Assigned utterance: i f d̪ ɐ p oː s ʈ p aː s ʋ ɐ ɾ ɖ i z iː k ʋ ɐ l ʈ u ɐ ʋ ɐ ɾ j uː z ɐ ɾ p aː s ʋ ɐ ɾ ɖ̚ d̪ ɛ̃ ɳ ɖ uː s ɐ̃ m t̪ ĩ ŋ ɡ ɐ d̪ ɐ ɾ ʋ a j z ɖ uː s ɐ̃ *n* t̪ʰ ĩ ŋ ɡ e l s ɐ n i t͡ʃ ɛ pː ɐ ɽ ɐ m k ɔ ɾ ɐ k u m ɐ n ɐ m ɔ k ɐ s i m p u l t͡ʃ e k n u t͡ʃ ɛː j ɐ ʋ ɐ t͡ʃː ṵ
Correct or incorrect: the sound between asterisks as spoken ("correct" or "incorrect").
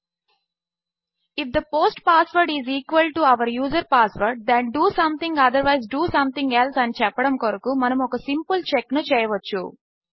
incorrect